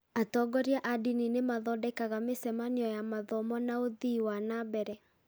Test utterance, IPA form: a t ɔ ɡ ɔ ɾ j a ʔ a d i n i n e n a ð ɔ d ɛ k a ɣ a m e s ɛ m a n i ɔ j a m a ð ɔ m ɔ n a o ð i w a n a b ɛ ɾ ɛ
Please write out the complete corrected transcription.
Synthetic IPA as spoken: a t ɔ ɡ ɔ ɾ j a ʔ a d i n i n e m a ð ɔ d ɛ k a ɣ a m e s ɛ m a n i ɔ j a m a ð ɔ m ɔ n a o ð i w a n a b ɛ ɾ ɛ